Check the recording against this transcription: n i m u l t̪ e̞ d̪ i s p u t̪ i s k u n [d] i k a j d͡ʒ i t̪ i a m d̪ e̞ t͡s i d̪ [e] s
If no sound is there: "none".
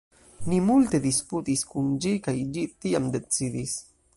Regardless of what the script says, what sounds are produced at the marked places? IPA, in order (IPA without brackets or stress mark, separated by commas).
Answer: d͡ʒ, i